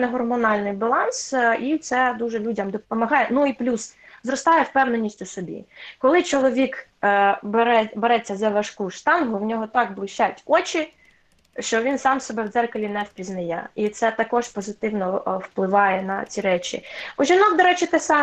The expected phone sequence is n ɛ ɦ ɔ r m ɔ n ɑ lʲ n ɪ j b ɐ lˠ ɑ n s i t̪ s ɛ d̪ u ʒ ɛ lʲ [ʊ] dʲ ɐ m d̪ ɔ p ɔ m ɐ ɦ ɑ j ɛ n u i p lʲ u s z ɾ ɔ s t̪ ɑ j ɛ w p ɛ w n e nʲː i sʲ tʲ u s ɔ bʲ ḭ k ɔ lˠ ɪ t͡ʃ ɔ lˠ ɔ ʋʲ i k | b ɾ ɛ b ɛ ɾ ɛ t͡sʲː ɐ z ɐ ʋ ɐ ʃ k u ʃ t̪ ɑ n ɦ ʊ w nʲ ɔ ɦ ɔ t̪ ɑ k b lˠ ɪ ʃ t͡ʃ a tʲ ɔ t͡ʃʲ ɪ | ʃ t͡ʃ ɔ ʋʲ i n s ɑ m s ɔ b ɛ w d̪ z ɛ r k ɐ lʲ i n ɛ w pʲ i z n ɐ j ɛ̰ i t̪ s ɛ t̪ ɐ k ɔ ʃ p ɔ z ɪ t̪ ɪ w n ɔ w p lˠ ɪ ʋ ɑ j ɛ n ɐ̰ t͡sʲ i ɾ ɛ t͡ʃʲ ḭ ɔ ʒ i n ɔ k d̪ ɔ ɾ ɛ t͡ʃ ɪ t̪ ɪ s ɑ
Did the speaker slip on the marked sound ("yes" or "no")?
yes